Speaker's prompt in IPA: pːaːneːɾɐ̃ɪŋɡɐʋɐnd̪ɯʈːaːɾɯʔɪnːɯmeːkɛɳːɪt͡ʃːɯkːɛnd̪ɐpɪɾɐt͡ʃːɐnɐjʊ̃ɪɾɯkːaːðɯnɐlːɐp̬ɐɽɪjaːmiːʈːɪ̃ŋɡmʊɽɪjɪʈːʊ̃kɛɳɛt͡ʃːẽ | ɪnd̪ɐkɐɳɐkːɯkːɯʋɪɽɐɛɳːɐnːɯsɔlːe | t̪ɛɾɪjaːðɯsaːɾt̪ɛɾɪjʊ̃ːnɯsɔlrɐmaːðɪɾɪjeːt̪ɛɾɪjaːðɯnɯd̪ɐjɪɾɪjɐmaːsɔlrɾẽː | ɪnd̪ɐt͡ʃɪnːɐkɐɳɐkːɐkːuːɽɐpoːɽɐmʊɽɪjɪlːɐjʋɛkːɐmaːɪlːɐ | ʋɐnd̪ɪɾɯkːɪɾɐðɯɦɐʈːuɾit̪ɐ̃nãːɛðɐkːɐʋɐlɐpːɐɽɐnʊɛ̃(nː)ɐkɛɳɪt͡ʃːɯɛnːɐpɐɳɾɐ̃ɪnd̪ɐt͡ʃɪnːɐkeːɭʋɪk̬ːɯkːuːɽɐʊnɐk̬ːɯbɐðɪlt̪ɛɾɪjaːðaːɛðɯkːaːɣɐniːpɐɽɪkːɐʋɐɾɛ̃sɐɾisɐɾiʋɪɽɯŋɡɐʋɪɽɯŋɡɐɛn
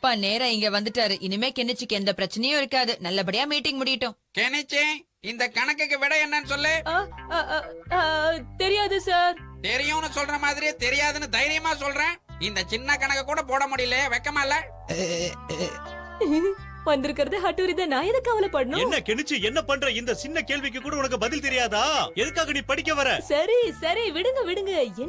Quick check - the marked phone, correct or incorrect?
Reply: correct